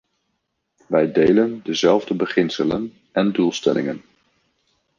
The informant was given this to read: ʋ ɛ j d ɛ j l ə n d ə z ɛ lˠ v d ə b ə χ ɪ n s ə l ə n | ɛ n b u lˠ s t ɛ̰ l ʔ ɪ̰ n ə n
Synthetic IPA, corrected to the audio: ʋ ɛ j d e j l ə n d ə z ɛ lˠ v d ə b ə χ ɪ n s ə l ə n | ɛ n d u lˠ s t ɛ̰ l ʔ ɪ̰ ŋ ə n